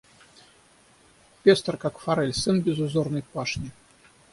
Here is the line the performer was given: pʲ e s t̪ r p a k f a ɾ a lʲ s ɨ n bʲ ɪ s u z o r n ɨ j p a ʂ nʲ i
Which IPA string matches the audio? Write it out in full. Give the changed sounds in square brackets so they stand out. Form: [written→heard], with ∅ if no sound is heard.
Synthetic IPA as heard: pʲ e s t̪ r [p→k] a k f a ɾ [a→ɛ] lʲ s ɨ n bʲ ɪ [s→z] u z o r n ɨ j p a ʂ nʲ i